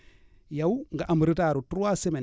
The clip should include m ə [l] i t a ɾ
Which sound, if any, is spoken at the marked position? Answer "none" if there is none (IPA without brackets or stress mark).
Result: ɾ